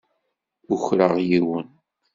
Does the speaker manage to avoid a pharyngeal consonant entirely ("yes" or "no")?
yes